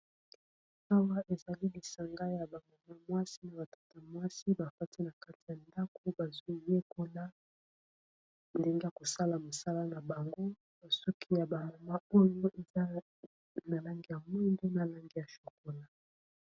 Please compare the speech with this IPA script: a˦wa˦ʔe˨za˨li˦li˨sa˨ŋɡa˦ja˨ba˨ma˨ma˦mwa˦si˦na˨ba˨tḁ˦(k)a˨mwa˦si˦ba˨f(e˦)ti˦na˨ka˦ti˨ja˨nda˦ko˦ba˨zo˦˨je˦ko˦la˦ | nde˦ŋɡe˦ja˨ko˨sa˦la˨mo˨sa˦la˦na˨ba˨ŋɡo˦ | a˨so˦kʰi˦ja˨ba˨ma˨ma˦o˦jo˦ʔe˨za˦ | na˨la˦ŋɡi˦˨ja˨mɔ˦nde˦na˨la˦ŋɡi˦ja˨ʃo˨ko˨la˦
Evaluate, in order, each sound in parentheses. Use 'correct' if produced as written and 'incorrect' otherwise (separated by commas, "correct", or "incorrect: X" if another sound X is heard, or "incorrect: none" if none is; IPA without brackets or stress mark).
incorrect: t, incorrect: a˦